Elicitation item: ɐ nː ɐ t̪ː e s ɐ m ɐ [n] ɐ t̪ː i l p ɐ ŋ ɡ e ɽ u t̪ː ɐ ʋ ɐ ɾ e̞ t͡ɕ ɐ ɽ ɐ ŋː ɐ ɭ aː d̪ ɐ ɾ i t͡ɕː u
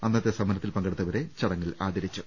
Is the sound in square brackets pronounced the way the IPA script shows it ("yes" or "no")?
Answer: yes